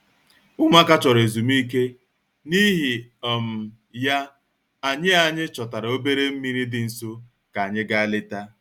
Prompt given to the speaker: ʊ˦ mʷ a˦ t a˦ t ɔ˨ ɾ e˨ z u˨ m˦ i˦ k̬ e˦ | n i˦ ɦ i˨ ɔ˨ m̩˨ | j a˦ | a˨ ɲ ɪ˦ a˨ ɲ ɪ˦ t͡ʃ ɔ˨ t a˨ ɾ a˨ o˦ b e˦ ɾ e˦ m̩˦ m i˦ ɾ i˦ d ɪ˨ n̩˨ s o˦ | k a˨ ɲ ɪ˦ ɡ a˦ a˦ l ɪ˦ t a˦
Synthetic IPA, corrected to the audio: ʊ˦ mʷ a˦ k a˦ t͡ʃ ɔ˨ ɾ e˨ z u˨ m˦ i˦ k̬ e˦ | n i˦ ɦ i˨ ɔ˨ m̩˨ | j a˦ | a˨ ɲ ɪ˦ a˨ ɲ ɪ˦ t͡ʃ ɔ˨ t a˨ ɾ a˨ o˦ b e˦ ɾ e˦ m̩˦ m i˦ ɾ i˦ d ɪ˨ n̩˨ s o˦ | k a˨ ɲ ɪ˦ ɡ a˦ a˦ l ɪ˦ t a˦